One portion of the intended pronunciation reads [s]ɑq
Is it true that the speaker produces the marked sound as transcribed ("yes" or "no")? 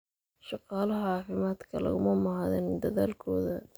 no